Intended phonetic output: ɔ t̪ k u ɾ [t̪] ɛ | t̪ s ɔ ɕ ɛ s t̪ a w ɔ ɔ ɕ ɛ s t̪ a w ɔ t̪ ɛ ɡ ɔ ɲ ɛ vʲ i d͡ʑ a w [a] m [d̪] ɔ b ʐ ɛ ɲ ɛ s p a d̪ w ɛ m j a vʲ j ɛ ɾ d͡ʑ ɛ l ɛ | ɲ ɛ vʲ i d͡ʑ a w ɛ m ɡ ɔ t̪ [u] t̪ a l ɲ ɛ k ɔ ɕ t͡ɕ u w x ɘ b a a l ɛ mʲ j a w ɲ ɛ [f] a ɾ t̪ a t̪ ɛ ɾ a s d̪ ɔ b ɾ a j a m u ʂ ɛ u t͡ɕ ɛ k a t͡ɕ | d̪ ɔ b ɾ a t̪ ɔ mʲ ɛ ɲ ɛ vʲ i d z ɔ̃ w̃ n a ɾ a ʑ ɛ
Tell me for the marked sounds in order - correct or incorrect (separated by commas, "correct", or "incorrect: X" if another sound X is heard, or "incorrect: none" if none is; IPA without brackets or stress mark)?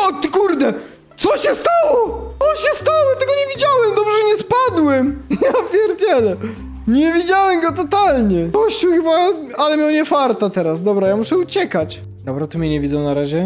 incorrect: d̪, incorrect: ɛ, correct, incorrect: ɔ, correct